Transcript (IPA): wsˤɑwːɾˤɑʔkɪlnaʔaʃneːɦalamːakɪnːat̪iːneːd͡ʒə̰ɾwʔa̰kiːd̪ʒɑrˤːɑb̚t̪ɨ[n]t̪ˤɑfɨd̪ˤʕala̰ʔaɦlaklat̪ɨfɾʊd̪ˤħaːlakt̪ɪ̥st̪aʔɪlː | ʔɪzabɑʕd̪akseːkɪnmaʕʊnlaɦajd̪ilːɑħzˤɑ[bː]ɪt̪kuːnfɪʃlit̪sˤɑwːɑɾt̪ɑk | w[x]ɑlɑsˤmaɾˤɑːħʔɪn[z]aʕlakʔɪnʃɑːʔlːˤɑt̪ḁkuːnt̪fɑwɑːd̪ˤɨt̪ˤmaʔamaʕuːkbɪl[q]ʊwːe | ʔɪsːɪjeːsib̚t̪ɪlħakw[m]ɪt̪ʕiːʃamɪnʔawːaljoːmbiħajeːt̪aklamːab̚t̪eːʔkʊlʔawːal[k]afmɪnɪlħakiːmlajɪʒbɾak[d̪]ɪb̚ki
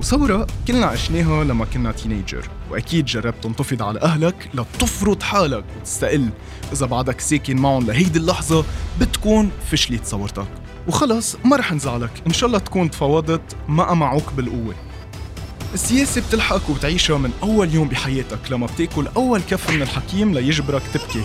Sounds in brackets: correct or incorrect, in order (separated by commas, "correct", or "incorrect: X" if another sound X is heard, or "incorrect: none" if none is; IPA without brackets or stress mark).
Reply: correct, incorrect: b, correct, correct, incorrect: ʔ, incorrect: b, correct, incorrect: t̪